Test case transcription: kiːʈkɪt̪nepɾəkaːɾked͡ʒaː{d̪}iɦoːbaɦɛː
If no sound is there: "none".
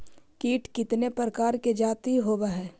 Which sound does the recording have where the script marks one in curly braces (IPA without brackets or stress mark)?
t̪